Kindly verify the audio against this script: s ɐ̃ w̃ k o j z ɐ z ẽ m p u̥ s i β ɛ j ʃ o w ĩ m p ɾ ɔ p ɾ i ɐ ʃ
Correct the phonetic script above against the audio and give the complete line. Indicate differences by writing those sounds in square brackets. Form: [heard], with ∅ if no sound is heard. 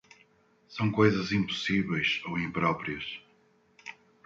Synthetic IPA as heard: s ɐ̃ w̃ k o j z ɐ z [ĩ] m p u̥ s i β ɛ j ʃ o w ĩ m p ɾ ɔ p ɾ i ɐ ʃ